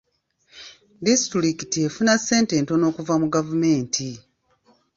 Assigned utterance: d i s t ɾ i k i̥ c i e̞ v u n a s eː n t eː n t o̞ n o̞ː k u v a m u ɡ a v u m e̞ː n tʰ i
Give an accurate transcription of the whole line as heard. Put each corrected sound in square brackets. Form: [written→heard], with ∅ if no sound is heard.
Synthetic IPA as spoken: d i s t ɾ i k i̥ [c→t] i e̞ [v→f] u n a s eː n t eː n t o̞ n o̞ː k u v a m u ɡ a v u m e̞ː n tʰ i